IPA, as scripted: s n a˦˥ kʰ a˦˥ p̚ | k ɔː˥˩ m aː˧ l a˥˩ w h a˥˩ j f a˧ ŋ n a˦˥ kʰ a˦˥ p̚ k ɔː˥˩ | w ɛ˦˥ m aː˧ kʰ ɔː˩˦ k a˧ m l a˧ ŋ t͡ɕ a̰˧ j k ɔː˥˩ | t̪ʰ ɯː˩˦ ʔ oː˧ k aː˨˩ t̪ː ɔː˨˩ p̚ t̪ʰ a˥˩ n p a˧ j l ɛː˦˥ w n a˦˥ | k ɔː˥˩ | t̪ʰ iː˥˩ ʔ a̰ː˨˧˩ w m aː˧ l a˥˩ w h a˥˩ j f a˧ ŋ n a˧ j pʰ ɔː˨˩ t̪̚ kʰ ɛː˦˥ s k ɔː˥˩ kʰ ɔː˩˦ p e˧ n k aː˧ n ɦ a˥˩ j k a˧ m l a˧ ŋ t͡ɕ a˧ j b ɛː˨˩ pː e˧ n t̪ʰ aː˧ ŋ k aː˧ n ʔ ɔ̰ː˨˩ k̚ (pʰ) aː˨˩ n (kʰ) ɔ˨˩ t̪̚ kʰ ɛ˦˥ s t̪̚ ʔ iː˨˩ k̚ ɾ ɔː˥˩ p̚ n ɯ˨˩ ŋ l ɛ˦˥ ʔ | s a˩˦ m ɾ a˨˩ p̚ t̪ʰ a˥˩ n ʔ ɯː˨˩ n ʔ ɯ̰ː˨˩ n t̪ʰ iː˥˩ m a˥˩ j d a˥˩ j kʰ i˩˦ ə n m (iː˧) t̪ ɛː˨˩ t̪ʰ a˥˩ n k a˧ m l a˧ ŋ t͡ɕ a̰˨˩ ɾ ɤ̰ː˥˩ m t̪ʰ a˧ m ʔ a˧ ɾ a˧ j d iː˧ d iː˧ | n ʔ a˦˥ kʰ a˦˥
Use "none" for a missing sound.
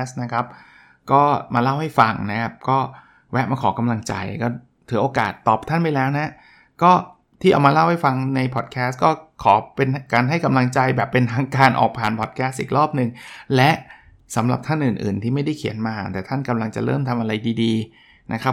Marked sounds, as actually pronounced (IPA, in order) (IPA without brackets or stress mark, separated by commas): pʰ, pʰ, aː˧